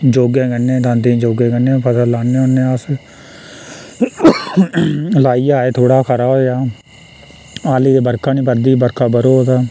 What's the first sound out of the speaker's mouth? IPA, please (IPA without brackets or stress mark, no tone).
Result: d͡ʒ